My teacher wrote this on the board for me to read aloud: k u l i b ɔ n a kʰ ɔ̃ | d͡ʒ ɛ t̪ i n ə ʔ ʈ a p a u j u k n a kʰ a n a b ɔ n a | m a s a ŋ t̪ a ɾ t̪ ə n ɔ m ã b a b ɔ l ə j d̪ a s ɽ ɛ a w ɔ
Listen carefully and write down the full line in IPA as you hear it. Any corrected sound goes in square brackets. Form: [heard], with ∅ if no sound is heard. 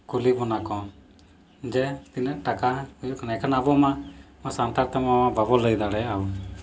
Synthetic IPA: k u l i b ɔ n a [k] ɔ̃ | d͡ʒ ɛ t̪ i n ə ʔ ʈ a [k] a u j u k n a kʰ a n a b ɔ [m] a | m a s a [n] t̪ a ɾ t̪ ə [m] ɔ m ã b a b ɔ l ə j d̪ a [∅] ɽ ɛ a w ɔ